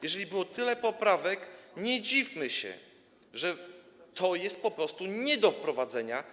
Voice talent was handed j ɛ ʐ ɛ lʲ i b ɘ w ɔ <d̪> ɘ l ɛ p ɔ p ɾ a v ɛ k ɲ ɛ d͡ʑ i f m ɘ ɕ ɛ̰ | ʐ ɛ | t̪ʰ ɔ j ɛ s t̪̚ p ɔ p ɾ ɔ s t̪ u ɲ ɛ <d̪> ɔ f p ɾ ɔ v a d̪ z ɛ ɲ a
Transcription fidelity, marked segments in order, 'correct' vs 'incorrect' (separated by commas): incorrect, correct